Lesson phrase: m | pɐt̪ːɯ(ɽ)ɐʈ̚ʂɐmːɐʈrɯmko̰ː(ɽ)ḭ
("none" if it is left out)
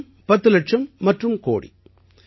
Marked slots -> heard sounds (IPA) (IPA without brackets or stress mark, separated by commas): l, ɽ